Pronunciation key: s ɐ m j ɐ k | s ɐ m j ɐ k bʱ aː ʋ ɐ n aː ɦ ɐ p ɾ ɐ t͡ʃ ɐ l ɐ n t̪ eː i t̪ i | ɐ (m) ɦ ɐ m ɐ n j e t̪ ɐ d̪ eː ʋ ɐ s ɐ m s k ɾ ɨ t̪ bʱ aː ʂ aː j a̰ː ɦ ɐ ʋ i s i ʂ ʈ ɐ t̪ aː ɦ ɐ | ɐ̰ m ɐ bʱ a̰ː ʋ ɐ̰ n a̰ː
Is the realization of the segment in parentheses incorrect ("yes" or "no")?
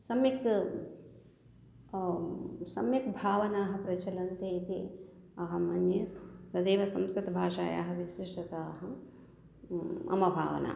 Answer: yes